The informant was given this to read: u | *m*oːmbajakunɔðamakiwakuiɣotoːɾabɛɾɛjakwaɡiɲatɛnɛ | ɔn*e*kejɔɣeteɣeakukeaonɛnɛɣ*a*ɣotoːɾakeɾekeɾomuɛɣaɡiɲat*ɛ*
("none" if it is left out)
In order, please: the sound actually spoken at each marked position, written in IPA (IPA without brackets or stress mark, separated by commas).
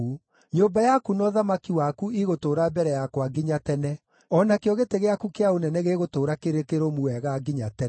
ɲ, a, e, ɛ